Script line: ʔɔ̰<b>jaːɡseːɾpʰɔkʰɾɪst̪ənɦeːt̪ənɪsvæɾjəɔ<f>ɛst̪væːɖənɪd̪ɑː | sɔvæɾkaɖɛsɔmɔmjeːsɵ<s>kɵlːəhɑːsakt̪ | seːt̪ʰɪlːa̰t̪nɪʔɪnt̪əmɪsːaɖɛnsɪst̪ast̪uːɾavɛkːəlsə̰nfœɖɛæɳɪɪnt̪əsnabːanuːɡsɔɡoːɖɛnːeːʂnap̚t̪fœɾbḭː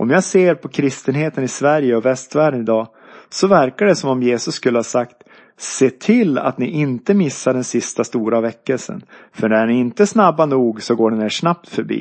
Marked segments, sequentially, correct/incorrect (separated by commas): incorrect, incorrect, incorrect